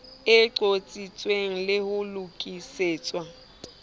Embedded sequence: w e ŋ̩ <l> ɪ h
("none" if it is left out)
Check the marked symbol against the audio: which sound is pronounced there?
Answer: l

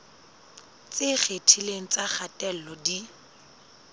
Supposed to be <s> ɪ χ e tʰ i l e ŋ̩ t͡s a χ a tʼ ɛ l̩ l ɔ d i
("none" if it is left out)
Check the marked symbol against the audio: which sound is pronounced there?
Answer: t͡s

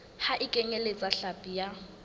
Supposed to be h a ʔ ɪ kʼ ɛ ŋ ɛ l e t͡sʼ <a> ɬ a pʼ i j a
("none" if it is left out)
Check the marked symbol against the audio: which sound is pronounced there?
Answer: a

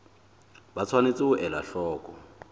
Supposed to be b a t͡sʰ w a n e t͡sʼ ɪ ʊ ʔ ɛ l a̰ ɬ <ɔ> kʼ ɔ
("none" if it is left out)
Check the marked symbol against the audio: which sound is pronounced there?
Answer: ɔː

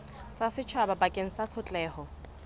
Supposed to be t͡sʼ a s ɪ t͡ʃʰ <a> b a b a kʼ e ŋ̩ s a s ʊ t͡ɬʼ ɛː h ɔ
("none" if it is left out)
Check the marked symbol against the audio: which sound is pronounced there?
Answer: a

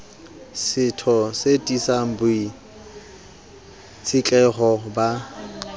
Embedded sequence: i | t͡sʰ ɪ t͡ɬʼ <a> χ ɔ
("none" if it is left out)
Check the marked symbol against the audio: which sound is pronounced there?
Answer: ɛ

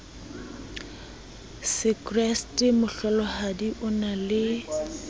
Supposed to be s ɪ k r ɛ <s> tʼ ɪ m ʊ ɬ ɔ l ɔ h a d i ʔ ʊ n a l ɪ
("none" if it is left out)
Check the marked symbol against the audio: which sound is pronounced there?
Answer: s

